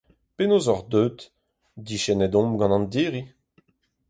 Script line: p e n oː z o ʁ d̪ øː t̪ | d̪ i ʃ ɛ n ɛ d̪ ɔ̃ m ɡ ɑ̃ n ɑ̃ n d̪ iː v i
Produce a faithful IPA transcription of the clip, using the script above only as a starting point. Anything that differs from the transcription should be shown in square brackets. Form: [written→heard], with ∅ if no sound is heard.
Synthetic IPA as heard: p e n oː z [o→ɔ] ʁ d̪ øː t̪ | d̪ i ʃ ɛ n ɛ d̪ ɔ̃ m ɡ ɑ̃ n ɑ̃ n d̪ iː [v→ʁ] i